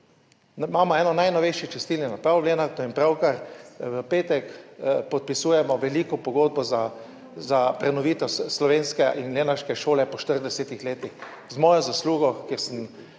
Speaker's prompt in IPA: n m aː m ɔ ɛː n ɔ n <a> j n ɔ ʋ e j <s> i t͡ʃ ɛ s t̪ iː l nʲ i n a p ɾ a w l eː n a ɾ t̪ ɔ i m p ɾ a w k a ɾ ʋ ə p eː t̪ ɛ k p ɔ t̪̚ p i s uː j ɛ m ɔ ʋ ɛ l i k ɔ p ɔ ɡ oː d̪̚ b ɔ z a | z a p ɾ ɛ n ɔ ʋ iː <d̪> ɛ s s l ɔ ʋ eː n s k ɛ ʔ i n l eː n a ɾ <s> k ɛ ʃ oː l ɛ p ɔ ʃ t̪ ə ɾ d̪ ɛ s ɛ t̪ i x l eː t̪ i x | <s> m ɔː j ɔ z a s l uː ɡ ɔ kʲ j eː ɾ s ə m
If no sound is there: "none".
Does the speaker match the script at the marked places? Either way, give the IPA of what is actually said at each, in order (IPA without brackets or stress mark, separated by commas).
a, ʃ, t̪, ʃ, z